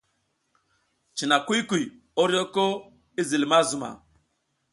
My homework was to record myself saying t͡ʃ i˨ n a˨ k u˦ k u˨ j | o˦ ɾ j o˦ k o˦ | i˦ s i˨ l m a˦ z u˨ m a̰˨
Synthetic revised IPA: t͡ʃ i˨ n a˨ k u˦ k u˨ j | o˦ ɾ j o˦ k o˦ | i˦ z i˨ l m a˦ z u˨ m a̰˨